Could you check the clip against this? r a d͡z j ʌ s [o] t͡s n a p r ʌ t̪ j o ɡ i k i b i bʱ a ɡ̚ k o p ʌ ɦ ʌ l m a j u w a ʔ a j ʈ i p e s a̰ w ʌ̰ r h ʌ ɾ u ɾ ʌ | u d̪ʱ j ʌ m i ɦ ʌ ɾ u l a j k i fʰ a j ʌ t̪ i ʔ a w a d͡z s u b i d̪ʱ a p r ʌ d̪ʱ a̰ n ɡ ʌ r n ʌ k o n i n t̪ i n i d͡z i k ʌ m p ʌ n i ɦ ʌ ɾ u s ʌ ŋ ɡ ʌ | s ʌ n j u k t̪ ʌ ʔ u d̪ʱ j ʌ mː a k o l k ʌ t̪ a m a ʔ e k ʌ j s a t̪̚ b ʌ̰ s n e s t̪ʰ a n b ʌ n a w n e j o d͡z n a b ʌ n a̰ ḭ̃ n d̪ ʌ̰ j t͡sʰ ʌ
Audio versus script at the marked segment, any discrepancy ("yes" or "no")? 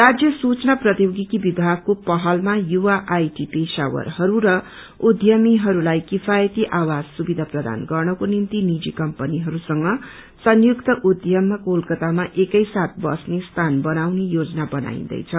yes